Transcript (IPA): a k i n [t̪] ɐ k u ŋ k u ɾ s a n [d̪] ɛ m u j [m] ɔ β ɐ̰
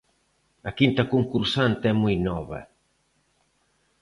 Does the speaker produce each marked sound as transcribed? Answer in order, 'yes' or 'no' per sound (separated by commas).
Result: yes, no, no